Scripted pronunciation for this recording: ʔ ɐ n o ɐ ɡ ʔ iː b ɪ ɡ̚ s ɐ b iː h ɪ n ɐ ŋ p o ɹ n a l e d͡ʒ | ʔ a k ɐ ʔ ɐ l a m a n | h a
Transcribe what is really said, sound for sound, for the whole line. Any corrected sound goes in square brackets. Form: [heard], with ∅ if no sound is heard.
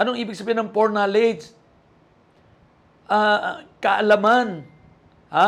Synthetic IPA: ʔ ɐ n o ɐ [ŋ] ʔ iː b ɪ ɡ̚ s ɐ b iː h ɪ n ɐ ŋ p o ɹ n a l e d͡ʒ | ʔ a k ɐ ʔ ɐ l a m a n | h a